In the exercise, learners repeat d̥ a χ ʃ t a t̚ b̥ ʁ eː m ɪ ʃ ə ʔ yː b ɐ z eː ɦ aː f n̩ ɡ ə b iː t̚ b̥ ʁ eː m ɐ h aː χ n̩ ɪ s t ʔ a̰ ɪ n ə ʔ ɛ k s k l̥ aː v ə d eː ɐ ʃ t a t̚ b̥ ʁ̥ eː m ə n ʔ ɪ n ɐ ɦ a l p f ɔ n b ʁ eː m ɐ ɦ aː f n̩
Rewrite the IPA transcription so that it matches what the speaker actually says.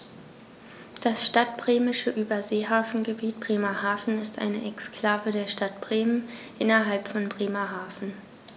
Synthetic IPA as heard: d̥ a s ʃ t a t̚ b̥ ʁ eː m ɪ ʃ ə ʔ yː b ɐ z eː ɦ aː f n̩ ɡ ə b iː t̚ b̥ ʁ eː m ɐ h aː f n̩ ɪ s t ʔ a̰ ɪ n ə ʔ ɛ k s k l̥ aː v ə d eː ɐ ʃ t a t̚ b̥ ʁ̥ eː m ə n ʔ ɪ n ɐ ɦ a l p f ɔ n b ʁ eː m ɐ ɦ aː f n̩